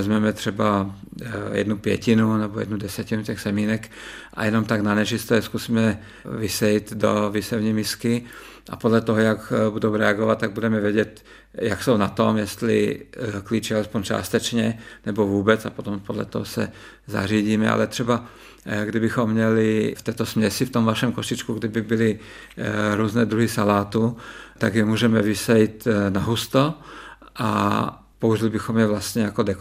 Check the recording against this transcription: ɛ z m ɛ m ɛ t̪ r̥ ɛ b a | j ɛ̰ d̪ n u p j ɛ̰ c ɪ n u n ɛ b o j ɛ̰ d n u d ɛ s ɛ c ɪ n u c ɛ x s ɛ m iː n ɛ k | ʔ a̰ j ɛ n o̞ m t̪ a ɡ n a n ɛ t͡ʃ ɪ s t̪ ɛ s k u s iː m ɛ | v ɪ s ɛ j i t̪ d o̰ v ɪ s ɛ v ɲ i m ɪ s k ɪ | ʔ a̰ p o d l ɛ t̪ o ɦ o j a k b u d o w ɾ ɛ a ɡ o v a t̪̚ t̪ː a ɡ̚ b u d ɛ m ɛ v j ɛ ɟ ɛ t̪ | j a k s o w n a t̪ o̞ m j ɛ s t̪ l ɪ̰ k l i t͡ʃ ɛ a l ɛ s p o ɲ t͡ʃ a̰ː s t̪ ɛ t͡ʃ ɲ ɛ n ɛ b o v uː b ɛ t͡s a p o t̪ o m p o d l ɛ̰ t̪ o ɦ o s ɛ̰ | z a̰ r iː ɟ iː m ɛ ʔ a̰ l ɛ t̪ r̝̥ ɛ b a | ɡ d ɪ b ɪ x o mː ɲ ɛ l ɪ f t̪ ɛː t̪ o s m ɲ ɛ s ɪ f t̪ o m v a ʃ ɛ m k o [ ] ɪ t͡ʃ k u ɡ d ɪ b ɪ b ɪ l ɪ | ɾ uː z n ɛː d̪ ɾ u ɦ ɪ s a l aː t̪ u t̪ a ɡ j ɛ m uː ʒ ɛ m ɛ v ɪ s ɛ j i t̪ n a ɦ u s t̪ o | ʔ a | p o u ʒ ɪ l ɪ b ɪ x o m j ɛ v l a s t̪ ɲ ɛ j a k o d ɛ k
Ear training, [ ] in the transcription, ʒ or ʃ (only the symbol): ʃ